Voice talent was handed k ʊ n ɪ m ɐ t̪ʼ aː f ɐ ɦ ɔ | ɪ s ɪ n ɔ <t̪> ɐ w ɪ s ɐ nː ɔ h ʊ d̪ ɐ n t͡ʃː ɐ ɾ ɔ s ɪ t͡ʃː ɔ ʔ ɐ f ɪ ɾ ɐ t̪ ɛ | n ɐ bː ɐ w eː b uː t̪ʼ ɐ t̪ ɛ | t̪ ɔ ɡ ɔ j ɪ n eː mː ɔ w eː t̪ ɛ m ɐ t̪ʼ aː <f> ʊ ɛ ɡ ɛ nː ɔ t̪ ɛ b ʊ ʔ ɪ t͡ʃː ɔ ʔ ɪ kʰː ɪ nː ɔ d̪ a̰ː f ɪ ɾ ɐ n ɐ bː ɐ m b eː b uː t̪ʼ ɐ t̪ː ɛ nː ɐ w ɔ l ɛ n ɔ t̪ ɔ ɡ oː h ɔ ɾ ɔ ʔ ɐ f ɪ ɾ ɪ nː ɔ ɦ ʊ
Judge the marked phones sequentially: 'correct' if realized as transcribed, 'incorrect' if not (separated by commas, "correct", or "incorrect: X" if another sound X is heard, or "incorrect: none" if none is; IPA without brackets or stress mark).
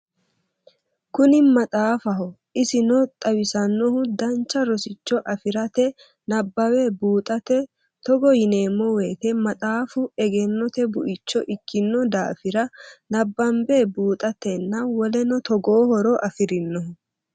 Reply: incorrect: t̪ʼ, correct